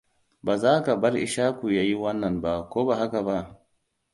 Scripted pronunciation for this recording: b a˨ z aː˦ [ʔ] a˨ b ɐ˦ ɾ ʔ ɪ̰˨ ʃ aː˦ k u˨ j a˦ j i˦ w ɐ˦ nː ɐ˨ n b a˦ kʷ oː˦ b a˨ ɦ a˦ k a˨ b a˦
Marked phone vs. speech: incorrect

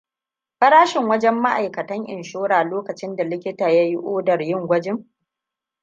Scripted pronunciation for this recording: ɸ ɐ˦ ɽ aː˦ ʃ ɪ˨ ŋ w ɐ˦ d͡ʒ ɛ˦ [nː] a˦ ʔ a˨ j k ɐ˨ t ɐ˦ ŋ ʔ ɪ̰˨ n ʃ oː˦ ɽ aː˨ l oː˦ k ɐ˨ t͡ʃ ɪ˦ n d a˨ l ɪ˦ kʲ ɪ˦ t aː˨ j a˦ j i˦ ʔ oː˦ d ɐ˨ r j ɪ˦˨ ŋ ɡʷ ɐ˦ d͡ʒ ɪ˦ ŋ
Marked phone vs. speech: incorrect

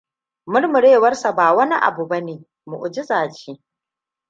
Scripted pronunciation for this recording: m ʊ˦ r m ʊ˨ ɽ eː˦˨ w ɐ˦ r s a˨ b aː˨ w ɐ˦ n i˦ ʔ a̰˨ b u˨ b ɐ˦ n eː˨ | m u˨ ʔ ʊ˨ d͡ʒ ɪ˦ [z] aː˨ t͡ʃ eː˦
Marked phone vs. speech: correct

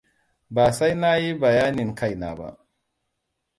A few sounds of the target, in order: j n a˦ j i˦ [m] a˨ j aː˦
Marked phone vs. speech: incorrect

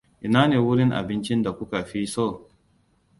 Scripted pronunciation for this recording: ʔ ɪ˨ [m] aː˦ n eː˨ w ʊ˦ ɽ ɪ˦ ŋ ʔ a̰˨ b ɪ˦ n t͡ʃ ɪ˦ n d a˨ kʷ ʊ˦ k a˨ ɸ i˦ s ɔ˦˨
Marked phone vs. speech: incorrect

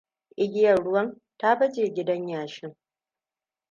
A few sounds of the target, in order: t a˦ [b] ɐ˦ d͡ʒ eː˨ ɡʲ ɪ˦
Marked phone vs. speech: correct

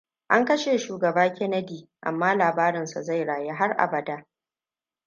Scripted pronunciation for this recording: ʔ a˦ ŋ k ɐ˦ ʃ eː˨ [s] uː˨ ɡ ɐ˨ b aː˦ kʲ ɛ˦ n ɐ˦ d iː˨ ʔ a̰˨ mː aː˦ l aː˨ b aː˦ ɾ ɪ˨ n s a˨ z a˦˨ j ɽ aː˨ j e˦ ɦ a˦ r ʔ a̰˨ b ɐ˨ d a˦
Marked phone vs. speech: incorrect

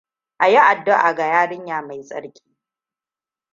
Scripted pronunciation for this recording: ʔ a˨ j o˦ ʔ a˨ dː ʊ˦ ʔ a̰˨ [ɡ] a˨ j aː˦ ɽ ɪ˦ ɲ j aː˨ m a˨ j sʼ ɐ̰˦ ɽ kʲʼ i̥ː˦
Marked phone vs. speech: correct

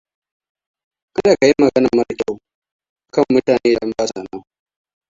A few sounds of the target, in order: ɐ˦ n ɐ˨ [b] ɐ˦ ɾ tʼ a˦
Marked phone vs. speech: incorrect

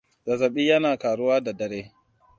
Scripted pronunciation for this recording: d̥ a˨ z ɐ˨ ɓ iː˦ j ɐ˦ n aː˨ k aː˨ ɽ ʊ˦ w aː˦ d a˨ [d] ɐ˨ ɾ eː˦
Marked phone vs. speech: correct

